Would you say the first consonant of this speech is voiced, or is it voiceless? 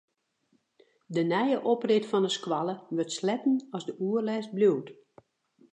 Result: voiced